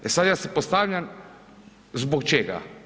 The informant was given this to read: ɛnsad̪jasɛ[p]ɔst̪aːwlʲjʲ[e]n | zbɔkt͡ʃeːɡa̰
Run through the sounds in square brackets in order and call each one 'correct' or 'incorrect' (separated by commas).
correct, incorrect